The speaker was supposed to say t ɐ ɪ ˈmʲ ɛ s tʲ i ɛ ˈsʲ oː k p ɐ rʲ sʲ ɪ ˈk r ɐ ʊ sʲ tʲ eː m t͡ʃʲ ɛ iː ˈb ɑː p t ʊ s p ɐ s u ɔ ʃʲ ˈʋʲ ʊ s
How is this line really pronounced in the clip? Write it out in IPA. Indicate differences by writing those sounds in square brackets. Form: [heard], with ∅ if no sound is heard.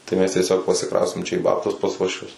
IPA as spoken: t ɐ ɪ ˈmʲ ɛ s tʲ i ɛ ˈsʲ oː k p ɐ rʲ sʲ ɪ ˈk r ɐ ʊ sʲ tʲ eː m t͡ʃʲ ɛ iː ˈb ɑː p t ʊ s p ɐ s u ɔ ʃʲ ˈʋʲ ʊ s